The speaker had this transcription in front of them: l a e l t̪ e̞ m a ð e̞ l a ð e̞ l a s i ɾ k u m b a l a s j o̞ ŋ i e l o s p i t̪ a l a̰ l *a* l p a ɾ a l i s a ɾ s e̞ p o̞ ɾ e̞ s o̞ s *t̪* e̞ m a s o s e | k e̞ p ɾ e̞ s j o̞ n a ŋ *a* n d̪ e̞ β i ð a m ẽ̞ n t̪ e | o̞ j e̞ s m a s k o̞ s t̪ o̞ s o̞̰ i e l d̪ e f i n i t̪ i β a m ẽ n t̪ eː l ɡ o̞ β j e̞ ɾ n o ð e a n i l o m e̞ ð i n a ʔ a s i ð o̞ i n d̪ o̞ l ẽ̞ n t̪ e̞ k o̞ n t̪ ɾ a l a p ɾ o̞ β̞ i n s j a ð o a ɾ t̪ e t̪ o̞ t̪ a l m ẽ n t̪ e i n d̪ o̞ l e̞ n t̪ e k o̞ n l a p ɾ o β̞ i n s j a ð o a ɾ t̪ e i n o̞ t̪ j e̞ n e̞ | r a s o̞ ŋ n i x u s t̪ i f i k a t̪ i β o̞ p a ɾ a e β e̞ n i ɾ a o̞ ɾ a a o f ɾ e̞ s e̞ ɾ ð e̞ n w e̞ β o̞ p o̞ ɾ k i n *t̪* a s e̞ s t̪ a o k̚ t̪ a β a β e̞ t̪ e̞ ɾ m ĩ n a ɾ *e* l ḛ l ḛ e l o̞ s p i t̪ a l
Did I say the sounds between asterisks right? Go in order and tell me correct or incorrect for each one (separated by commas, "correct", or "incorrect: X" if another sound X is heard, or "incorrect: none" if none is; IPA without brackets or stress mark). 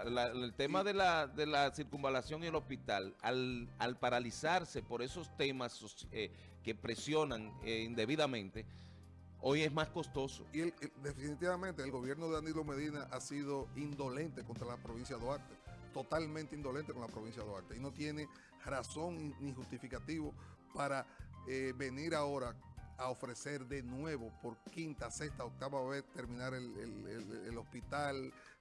correct, correct, incorrect: i, correct, correct